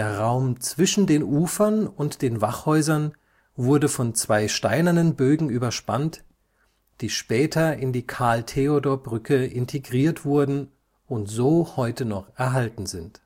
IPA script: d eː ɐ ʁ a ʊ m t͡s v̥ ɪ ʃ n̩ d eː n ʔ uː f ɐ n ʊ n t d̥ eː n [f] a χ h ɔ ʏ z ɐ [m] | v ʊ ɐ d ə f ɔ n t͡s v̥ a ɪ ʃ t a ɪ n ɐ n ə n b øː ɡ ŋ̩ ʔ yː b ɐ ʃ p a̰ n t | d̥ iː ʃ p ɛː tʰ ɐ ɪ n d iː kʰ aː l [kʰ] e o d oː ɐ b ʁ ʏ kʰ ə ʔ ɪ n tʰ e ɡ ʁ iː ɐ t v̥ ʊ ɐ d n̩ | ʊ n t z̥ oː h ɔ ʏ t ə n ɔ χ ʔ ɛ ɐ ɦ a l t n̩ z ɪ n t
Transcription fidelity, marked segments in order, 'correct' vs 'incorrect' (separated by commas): incorrect, incorrect, incorrect